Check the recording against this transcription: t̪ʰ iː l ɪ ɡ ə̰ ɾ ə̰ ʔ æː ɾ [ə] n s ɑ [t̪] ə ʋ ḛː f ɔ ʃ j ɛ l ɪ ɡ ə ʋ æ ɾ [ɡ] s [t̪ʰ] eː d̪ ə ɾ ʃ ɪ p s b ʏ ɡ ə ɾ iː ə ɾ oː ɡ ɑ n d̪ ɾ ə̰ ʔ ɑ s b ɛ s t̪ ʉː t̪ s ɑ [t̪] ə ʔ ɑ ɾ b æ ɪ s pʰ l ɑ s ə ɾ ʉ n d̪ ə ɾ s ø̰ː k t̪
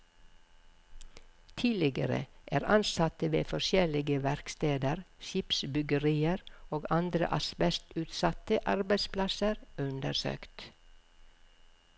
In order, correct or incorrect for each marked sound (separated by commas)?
incorrect, correct, incorrect, incorrect, correct